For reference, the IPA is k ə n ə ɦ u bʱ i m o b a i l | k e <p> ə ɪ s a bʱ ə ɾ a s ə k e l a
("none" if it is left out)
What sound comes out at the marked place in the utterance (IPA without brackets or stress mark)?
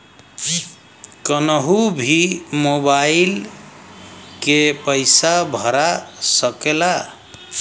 p